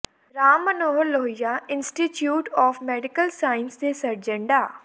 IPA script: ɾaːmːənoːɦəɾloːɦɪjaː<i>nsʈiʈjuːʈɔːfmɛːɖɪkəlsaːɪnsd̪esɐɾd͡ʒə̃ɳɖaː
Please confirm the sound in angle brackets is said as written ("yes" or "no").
no